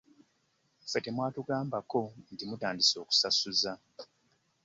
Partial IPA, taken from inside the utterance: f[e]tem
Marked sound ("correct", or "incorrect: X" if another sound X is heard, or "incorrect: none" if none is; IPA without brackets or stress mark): correct